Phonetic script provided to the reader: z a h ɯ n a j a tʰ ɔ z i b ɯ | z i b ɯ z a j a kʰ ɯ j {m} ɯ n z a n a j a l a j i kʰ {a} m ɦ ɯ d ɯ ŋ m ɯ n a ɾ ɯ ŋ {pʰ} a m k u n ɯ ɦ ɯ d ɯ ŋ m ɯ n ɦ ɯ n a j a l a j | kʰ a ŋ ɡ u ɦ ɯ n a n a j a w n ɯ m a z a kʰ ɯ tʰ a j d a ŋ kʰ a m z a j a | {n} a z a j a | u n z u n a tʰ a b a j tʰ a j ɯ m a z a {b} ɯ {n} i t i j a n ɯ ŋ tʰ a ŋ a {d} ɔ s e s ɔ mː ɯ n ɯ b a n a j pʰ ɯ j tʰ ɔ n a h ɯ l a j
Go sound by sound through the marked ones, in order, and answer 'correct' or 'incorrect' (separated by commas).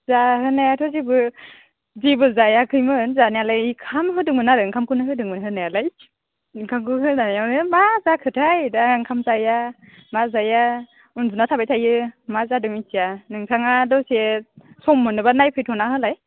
correct, correct, incorrect, incorrect, incorrect, incorrect, correct